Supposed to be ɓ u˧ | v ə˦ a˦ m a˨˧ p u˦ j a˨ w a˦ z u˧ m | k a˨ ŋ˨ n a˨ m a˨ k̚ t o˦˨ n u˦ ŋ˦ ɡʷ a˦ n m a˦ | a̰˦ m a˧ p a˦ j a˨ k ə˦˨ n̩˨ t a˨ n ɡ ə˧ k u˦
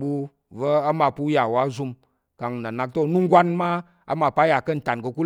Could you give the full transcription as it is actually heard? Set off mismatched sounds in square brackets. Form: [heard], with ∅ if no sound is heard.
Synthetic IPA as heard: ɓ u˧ | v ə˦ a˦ m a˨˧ p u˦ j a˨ w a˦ z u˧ m | k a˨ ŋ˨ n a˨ [n] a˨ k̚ t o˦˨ n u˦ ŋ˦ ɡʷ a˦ n m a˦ | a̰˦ m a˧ p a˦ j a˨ k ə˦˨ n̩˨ t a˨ n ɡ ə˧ k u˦